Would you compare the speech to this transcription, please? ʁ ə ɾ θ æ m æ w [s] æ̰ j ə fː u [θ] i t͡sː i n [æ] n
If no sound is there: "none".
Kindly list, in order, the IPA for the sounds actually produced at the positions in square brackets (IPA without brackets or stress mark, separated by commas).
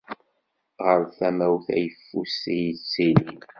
θ, s, i